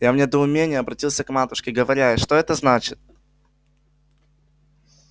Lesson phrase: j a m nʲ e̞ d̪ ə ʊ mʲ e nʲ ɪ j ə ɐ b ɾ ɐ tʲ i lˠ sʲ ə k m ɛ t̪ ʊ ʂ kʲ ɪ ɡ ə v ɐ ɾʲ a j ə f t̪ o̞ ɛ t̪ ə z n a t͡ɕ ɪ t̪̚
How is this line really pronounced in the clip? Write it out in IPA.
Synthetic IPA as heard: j a m nʲ e̞ d̪ ə ʊ mʲ e nʲ ɪ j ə ɐ b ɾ ɐ tʲ i lˠ sʲ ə k m a t̪ ʊ ʂ kʲ ɪ ɡ ə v ɐ ɾʲ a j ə ʂ t̪ o̞ ɛ t̪ ə z n a t͡ɕ ɪ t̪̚